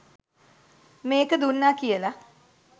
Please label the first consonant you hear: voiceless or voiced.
voiced